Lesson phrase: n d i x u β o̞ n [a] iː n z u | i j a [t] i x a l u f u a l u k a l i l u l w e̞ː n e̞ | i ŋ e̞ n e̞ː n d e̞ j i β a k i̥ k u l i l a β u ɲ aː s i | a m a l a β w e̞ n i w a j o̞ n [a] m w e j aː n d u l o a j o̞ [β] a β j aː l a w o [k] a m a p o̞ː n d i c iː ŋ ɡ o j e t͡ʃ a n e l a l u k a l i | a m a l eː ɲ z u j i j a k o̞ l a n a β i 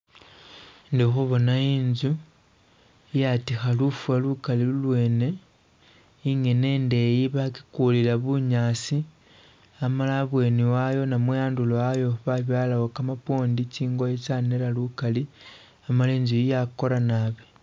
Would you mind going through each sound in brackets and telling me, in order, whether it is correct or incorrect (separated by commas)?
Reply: correct, correct, correct, correct, correct